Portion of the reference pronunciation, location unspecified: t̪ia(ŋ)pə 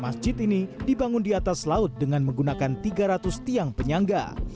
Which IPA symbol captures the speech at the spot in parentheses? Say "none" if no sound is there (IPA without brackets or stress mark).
ŋ